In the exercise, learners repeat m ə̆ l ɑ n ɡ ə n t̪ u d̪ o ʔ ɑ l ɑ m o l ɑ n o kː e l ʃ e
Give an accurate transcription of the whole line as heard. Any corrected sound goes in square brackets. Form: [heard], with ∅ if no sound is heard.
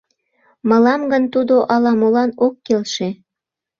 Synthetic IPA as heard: m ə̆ l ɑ [m] ɡ ə n t̪ u d̪ o ʔ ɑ l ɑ m o l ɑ n o kː e l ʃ e